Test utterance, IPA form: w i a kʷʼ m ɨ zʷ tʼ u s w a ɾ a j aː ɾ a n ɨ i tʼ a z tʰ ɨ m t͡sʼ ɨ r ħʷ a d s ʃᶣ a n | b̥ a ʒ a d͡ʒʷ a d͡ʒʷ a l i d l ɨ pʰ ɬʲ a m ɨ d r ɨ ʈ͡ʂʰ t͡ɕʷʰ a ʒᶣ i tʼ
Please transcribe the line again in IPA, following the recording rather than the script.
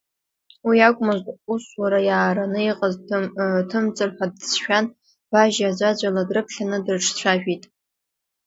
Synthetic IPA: w i a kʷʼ m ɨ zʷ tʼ u s w a ɾ a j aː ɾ a n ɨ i qʼ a z tʰ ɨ m t͡sʼ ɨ r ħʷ a d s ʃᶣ a n | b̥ a ʒ a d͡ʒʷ a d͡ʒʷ a l a d r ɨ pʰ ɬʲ a n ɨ d r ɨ ʈ͡ʂʰ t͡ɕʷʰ a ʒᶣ i tʼ